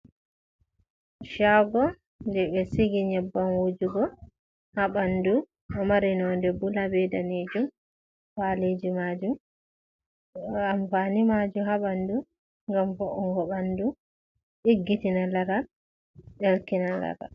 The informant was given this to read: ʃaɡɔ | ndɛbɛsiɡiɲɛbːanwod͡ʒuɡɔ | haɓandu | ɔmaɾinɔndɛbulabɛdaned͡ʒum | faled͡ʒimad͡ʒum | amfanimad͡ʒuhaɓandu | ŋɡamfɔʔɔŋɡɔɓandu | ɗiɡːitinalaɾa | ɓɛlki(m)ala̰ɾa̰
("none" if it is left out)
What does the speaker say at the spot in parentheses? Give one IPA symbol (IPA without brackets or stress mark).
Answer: n